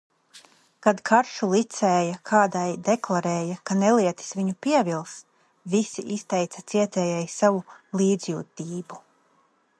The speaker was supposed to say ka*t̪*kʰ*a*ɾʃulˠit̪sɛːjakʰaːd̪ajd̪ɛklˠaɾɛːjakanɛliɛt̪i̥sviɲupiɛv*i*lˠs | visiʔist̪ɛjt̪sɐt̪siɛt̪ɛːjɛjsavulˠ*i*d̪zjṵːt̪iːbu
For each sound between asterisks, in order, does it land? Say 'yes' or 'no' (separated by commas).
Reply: no, yes, yes, no